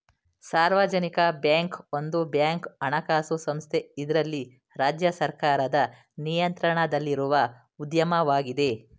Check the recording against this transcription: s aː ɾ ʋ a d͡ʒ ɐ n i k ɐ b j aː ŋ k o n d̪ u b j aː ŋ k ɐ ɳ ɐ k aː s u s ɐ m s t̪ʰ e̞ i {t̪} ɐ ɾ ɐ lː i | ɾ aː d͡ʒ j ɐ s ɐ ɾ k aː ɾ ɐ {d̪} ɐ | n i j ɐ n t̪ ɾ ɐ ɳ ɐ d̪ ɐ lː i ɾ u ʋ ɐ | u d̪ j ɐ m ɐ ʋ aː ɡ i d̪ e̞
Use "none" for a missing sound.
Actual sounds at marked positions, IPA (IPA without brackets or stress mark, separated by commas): d̪, d̪